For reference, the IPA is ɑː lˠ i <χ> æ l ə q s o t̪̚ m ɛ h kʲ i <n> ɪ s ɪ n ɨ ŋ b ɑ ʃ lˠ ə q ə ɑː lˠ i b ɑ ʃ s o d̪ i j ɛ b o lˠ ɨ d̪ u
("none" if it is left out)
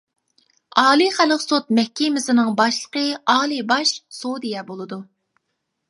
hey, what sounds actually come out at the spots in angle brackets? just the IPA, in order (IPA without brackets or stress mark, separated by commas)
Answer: χ, m